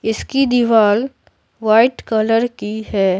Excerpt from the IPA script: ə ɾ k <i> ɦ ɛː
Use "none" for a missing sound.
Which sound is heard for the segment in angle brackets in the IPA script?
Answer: i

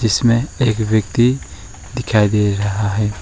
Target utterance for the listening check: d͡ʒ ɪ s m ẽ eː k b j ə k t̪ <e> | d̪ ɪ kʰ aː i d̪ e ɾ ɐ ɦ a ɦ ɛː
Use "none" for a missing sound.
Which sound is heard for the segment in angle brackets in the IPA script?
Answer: i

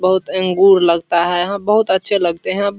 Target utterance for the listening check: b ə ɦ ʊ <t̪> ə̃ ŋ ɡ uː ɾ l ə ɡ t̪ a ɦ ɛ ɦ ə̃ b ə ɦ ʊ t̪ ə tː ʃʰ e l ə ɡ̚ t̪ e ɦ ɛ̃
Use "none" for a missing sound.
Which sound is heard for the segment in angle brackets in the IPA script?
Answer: t̪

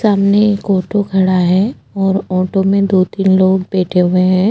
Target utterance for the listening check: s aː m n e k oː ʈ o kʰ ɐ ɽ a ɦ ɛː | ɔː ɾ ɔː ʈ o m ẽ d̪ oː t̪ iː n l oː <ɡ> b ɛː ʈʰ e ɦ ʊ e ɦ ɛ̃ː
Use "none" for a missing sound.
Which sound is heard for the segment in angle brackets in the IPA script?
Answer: ɡ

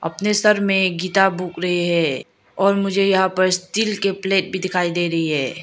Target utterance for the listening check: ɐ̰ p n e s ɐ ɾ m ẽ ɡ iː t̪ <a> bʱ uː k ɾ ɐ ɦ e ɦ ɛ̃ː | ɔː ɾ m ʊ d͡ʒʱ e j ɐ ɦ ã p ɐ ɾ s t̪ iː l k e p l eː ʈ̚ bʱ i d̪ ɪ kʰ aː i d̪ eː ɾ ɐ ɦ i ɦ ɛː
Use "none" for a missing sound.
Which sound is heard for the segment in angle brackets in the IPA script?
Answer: a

